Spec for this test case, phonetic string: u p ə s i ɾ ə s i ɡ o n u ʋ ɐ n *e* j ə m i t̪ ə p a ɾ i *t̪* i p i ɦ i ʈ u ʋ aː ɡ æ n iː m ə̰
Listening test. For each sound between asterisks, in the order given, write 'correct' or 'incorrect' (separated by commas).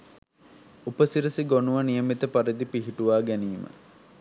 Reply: incorrect, incorrect